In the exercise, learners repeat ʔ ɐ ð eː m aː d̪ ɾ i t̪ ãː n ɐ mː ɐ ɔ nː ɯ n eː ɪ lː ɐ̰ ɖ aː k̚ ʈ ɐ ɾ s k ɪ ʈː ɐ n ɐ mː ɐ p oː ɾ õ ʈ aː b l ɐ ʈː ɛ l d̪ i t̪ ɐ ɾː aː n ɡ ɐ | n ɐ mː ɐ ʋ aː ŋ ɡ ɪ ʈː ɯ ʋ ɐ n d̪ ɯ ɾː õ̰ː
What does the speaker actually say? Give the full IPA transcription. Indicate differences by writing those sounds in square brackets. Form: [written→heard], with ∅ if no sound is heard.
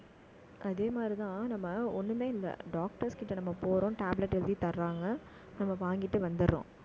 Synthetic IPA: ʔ ɐ ð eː m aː d̪ ɾ i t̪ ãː n ɐ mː ɐ ɔ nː ɯ [n→m] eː ɪ lː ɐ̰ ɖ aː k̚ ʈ ɐ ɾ s k ɪ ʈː ɐ n ɐ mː ɐ p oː ɾ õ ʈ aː b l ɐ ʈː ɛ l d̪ i t̪ ɐ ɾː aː [n→ŋ] ɡ ɐ | n ɐ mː ɐ ʋ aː ŋ ɡ ɪ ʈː ɯ ʋ ɐ n d̪ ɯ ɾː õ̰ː